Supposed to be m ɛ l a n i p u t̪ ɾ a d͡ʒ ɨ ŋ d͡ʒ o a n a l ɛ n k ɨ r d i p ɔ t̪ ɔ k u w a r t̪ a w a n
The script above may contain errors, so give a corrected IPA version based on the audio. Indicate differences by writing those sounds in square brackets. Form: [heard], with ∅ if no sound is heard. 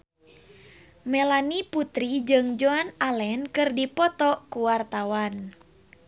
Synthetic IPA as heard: m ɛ l a n i p u t̪ ɾ [i] d͡ʒ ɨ ŋ d͡ʒ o a n a l ɛ n k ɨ r d i p ɔ t̪ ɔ k u w a r t̪ a w a n